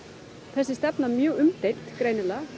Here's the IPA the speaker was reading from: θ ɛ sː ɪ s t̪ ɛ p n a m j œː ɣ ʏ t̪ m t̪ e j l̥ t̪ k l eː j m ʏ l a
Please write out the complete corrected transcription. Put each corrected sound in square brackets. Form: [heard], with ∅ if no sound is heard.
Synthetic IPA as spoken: θ ɛ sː ɪ s t̪ ɛ p n a m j œː ɣ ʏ [∅] m t̪ e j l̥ t̪ k [ɾ] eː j [n] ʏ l a